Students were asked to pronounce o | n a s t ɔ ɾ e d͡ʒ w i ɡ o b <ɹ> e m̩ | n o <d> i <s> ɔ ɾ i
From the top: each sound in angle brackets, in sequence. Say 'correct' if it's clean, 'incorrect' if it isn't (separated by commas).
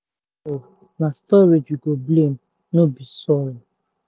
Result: incorrect, incorrect, correct